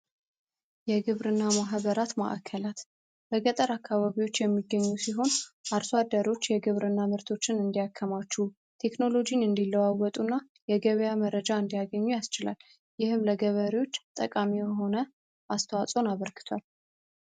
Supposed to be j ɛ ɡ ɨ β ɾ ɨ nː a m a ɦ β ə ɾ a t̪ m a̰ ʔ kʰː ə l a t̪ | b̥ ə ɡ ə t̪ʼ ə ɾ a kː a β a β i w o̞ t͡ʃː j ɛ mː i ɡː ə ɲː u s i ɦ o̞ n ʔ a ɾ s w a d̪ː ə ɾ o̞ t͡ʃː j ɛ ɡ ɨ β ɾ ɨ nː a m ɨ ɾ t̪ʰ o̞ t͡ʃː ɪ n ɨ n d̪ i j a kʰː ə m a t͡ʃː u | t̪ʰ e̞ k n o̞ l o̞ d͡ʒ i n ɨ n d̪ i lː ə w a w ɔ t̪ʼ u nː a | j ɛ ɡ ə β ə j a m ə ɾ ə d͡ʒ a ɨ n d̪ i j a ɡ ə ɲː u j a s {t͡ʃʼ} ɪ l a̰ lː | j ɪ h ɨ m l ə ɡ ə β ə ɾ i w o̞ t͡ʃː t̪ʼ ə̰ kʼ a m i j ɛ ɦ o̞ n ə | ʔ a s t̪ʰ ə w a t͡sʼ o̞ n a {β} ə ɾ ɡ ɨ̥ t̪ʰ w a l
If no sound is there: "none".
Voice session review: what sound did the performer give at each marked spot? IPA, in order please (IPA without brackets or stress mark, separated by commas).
t͡ʃ, β